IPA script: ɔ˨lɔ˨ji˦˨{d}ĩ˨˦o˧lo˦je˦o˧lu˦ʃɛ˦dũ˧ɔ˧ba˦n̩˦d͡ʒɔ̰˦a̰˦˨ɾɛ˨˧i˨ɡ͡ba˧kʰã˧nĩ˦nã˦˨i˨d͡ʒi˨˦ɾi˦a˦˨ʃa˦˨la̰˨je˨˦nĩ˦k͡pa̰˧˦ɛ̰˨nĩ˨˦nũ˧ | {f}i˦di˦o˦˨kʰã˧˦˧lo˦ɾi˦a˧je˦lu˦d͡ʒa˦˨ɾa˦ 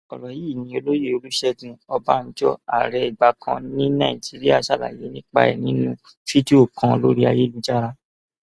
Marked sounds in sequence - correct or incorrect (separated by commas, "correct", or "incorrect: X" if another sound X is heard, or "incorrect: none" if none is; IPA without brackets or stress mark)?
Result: incorrect: n, correct